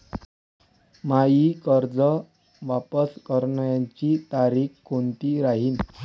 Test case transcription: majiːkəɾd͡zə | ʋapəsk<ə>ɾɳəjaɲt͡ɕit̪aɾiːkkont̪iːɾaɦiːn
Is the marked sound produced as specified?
yes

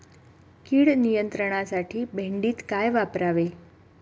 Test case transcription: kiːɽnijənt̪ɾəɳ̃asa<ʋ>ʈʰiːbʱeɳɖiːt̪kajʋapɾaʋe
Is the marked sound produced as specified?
no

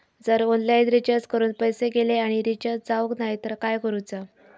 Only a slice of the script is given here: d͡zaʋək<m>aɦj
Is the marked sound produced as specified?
no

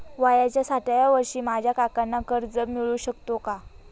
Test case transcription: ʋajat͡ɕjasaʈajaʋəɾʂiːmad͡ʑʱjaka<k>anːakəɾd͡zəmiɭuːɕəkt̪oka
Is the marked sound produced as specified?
yes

